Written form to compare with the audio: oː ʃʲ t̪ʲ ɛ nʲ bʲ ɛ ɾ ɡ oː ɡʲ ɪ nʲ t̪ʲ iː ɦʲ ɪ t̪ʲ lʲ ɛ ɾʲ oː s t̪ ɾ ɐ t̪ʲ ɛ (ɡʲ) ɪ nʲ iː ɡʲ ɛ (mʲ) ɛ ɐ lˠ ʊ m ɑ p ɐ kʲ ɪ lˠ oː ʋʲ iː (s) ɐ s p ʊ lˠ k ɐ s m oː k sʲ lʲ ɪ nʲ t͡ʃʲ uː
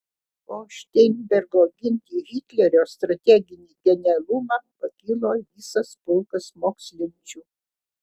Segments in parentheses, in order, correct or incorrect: correct, incorrect: nʲ, correct

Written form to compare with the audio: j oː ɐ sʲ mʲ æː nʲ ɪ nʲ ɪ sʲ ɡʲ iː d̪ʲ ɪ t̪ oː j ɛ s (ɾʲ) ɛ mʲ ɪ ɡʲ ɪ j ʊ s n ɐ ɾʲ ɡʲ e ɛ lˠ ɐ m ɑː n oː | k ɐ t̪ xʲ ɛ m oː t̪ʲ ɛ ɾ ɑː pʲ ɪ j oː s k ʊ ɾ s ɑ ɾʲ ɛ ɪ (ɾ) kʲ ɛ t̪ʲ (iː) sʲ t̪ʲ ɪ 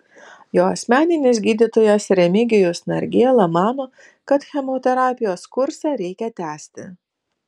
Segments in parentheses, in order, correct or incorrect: correct, incorrect: none, incorrect: æː

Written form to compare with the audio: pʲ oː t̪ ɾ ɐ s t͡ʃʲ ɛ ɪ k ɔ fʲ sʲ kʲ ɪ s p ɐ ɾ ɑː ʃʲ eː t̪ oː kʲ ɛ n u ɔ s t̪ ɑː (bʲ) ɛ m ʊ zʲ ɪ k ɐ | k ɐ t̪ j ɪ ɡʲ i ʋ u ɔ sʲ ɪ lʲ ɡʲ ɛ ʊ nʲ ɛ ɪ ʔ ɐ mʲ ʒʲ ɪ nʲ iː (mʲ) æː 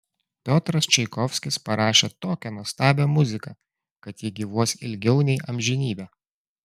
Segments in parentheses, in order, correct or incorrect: correct, incorrect: bʲ

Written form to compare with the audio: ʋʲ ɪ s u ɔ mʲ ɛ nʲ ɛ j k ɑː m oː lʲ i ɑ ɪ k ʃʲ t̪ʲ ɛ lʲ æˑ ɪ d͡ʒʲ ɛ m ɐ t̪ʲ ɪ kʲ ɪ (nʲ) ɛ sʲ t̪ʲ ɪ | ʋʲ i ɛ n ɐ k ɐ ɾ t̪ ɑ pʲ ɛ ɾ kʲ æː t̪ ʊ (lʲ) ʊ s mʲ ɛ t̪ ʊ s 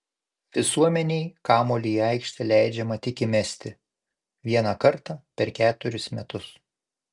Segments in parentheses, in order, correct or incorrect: incorrect: mʲ, incorrect: ɾʲ

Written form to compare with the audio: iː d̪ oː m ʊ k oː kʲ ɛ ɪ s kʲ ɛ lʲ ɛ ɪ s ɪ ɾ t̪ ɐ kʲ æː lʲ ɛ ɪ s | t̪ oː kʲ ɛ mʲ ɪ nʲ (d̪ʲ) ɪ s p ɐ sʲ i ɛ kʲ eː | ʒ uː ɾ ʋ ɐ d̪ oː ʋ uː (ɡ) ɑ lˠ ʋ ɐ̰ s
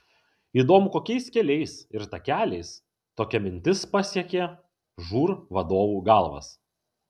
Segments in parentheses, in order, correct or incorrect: incorrect: t̪ʲ, correct

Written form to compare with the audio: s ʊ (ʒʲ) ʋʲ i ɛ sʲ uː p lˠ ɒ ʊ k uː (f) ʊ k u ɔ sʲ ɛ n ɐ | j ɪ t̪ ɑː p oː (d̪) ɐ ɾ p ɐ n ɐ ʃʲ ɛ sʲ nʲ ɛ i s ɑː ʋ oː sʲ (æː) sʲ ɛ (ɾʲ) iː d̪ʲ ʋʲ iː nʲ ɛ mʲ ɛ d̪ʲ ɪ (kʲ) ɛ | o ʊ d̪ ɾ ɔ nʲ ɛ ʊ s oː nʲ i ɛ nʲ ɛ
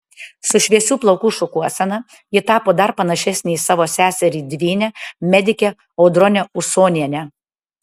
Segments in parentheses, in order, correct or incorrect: incorrect: ʃʲ, incorrect: ʃ, correct, correct, correct, correct

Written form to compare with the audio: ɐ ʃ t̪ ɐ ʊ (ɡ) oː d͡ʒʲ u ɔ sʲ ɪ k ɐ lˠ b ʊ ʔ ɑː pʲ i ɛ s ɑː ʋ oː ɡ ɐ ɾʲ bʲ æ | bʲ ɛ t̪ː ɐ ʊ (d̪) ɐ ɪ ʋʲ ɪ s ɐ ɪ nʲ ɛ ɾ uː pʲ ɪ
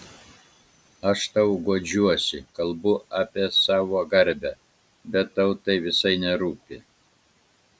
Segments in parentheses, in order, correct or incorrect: correct, incorrect: t̪

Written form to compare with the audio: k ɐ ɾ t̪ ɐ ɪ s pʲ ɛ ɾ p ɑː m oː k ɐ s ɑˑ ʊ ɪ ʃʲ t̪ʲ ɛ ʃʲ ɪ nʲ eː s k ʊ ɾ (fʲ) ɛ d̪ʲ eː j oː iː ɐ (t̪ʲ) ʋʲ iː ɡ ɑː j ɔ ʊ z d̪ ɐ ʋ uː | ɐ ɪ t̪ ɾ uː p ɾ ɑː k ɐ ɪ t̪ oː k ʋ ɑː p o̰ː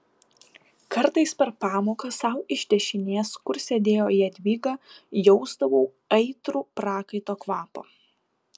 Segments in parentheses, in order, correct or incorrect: incorrect: sʲ, incorrect: d̪ʲ

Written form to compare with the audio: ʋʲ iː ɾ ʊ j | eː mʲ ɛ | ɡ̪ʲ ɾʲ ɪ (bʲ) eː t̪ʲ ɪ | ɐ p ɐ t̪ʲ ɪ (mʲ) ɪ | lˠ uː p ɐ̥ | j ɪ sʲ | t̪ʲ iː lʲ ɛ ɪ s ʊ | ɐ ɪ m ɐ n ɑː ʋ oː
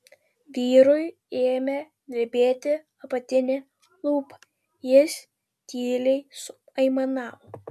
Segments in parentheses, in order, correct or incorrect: correct, incorrect: nʲ

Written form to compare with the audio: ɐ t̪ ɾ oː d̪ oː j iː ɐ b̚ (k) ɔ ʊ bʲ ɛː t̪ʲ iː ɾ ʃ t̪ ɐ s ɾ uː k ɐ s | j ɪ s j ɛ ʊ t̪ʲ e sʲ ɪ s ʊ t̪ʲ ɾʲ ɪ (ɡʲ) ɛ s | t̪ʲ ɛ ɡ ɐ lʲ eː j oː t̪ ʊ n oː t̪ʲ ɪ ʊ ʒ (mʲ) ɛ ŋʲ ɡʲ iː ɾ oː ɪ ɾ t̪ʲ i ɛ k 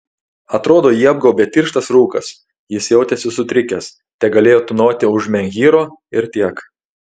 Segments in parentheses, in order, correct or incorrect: incorrect: ɡ, incorrect: kʲ, correct

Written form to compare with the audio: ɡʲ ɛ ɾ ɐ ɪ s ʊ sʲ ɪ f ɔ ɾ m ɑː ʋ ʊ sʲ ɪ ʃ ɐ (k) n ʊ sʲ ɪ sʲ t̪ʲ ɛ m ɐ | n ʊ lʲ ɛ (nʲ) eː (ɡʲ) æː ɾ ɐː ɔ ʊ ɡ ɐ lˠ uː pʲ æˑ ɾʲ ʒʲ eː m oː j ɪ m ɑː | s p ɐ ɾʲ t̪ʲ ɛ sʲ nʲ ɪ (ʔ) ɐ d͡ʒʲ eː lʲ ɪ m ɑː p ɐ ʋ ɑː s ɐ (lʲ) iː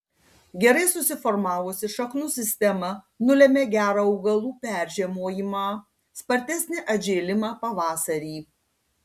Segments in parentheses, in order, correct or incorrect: correct, incorrect: mʲ, correct, correct, incorrect: ɾʲ

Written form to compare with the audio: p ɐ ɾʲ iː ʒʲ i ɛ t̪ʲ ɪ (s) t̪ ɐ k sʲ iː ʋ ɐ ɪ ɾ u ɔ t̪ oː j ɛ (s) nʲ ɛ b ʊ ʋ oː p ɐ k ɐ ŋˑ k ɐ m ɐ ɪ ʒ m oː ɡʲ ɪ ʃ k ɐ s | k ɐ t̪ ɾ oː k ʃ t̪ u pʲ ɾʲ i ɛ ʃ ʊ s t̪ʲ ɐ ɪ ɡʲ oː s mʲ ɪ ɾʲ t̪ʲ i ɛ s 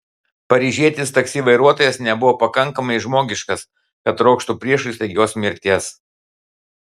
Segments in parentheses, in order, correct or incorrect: correct, correct

